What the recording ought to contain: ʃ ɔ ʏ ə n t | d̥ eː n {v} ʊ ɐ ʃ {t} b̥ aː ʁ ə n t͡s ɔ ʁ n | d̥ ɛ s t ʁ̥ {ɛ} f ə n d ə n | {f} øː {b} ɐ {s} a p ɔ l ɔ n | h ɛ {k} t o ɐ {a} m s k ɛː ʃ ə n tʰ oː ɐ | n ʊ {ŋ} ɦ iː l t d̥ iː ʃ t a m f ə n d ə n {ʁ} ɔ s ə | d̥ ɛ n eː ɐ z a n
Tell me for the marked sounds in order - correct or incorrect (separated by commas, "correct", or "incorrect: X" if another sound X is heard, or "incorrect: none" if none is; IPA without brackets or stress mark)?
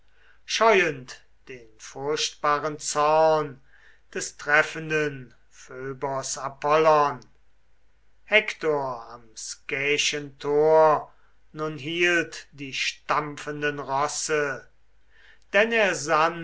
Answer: incorrect: f, correct, correct, correct, correct, correct, correct, correct, incorrect: n, correct